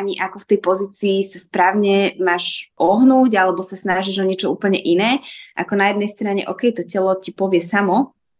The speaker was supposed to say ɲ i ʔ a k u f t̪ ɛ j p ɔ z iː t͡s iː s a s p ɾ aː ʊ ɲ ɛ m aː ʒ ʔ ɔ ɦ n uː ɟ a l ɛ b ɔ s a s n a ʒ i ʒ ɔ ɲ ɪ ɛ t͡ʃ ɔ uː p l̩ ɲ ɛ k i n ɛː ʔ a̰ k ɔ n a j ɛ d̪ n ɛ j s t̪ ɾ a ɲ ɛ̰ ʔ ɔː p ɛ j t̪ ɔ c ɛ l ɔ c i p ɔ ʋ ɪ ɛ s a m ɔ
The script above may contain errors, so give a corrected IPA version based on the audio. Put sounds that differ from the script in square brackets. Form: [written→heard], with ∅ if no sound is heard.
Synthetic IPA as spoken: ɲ i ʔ a k [u→ɔ] f t̪ ɛ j p ɔ z iː t͡s iː s a s p ɾ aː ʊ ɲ ɛ m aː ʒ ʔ ɔ ɦ n uː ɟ a l ɛ b ɔ s a s n a ʒ i ʒ ɔ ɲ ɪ ɛ t͡ʃ ɔ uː p l̩ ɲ ɛ [k→ʔ] i n ɛː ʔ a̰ k ɔ n a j ɛ d̪ n ɛ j s t̪ ɾ a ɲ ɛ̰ ʔ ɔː [p→k] ɛ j t̪ ɔ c ɛ l ɔ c i p ɔ ʋ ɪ ɛ s a m ɔ